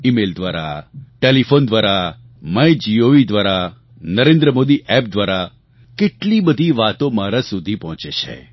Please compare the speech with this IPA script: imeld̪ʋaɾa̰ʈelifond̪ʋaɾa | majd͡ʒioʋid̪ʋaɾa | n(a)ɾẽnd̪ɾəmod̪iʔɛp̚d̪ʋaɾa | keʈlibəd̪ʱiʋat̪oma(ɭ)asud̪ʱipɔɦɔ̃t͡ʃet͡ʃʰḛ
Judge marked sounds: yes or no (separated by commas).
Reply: no, no